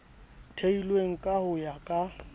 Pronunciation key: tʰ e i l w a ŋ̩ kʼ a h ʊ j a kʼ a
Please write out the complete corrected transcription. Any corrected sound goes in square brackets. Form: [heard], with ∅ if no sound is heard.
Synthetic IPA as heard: tʰ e i l w [e] ŋ̩ kʼ a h ʊ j a kʼ a